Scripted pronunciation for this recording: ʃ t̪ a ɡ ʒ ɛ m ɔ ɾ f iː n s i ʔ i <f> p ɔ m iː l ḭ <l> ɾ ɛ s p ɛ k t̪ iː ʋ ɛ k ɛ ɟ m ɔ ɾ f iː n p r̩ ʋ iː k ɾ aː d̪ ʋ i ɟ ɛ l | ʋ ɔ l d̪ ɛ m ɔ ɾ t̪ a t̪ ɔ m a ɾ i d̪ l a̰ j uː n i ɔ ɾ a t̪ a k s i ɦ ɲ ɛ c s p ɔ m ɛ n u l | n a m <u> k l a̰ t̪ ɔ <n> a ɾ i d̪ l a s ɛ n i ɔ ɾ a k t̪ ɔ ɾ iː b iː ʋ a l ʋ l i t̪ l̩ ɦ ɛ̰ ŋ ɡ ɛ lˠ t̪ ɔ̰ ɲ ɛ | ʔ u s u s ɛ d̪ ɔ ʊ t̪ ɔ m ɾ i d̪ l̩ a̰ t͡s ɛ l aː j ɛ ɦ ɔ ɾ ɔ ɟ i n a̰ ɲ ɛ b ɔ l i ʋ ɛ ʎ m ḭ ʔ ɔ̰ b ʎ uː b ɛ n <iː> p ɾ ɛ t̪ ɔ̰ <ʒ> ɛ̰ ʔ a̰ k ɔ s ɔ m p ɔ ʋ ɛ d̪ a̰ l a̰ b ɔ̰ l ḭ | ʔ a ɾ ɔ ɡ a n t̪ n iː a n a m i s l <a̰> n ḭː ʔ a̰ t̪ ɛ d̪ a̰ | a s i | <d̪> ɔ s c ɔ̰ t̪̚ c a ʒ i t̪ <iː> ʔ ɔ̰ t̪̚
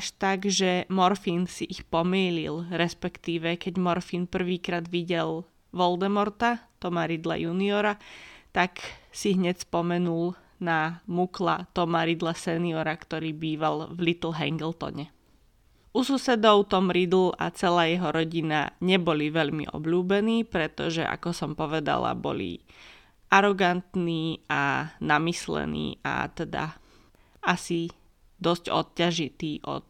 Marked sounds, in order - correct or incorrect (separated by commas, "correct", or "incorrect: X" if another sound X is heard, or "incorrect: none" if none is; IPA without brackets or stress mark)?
incorrect: x, correct, correct, incorrect: m, correct, correct, incorrect: ɛ̰, correct, correct